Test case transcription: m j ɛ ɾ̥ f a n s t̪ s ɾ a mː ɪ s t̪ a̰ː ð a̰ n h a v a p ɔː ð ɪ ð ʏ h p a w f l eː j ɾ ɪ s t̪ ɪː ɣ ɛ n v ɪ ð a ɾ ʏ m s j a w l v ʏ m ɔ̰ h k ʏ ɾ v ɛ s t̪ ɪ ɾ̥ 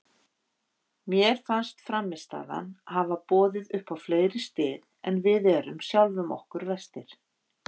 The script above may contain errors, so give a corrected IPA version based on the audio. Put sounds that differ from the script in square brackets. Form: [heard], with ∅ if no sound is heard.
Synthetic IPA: m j ɛ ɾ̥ f a n s t̪ [f] ɾ a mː ɪ s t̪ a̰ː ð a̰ n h a v a p ɔː ð ɪ ð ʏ h p a w f l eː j ɾ ɪ s t̪ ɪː [ð] ɛ n v ɪ ð [ɛ] ɾ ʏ m s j a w l v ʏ m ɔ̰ h k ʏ ɾ v ɛ s t̪ ɪ ɾ̥